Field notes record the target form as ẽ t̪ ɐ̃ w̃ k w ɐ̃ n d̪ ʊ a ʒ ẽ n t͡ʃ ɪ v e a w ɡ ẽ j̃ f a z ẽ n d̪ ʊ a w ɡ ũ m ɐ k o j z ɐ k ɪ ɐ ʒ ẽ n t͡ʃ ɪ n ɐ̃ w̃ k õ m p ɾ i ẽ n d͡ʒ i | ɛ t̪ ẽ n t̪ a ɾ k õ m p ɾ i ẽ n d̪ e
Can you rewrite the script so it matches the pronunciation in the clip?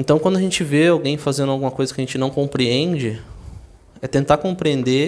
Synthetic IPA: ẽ t̪ ɐ̃ w̃ k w ɐ̃ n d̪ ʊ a ʒ ẽ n t͡ʃ ɪ v e a w ɡ ẽ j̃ f a z ẽ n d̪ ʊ a w ɡ ũ m ɐ k o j z ɐ k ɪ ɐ ʒ ẽ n t͡ʃ ɪ n ɐ̃ w̃ k õ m p ɾ i ẽ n d͡ʒ ɪ | ɛ t̪ ẽ n t̪ a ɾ k õ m p ɾ i ẽ n d̪ e